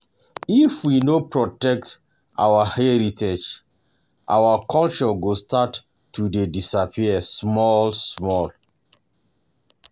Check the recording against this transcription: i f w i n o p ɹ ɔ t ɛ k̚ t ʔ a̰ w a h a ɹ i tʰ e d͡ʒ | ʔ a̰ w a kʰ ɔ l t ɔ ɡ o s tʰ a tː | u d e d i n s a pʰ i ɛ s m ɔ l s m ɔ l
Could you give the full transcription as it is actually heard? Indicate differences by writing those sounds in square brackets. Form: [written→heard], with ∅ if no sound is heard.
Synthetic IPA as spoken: i f w i n o p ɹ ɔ t ɛ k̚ t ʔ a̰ w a h [a→ɛ] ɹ i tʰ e d͡ʒ | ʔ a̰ w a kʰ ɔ l [t→t͡ʃ] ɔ ɡ o s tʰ a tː | u d e d i [n→∅] s a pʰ i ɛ s m ɔ l s m ɔ l